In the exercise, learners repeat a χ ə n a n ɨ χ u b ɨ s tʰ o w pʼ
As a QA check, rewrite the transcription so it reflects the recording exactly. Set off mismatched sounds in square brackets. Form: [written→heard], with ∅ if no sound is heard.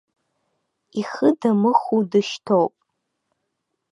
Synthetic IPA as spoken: [a→i] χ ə [n→d] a [n→m] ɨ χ u [b→d] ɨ [s→ʃ] tʰ o w pʼ